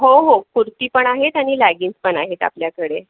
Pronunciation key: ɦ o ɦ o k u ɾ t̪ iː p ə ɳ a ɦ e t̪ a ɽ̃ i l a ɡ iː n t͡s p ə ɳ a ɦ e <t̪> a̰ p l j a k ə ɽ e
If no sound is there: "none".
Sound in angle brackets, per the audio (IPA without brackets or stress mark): t̪